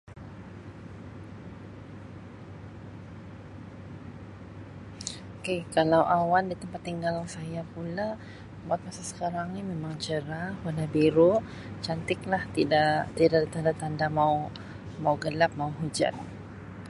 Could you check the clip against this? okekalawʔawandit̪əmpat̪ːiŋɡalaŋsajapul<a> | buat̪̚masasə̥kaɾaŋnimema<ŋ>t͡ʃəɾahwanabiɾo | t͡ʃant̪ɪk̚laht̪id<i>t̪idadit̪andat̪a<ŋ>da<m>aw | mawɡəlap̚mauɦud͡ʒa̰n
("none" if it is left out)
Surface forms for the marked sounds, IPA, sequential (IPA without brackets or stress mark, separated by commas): a, ŋ, a, n, m